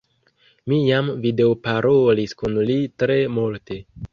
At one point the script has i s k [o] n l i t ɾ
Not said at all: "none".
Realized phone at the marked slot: u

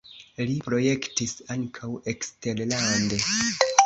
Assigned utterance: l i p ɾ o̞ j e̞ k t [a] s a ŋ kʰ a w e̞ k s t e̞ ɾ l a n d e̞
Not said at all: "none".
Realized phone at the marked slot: i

